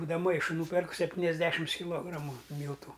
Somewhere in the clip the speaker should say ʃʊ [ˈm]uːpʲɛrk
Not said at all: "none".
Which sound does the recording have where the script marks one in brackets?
n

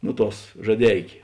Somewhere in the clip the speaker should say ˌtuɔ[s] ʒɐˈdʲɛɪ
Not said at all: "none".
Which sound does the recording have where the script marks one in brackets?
s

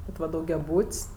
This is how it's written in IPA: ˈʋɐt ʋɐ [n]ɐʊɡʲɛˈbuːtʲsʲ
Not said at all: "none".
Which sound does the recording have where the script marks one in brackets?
d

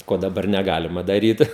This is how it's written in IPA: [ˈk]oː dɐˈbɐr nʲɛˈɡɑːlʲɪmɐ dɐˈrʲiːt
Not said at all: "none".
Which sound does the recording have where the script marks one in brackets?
k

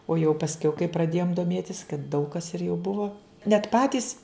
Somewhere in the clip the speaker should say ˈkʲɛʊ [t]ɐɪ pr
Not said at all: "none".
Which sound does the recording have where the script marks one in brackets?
k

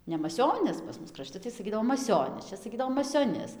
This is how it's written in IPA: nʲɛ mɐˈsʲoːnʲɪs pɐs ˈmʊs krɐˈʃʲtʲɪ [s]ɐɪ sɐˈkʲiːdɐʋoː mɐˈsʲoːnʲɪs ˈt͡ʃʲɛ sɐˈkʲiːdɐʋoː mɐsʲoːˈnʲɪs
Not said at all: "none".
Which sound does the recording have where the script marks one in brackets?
t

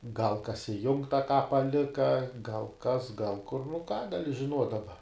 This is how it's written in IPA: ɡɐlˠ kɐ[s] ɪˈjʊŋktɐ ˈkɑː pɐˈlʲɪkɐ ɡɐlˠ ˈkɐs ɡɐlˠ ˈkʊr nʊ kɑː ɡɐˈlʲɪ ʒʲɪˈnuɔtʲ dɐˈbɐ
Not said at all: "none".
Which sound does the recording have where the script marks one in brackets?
s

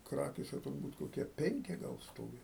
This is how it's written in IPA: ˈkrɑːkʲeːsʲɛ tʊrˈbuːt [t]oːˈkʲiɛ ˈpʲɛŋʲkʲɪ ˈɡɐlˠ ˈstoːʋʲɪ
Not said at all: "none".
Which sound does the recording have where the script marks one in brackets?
k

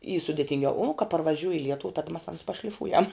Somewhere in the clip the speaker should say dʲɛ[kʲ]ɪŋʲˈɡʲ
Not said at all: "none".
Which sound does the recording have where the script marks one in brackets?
tʲ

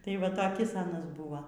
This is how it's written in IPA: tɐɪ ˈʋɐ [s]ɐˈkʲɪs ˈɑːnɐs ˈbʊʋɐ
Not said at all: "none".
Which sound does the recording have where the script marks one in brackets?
t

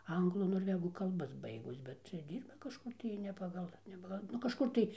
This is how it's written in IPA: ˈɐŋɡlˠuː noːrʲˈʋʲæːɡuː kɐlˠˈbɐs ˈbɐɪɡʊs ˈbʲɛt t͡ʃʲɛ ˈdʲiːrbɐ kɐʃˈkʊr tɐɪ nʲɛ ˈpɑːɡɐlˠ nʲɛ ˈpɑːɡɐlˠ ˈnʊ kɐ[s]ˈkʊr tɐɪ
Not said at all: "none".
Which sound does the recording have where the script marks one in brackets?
ʃ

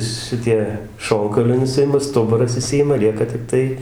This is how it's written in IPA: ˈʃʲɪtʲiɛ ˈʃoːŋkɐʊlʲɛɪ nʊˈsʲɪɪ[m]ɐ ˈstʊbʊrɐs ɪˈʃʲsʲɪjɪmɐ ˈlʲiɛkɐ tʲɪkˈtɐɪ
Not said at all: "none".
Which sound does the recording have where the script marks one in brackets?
m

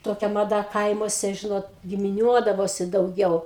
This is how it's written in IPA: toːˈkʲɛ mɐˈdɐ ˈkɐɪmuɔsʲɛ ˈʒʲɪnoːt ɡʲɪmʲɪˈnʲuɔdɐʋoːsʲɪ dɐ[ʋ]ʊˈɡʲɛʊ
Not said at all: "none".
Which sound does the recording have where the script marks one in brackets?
none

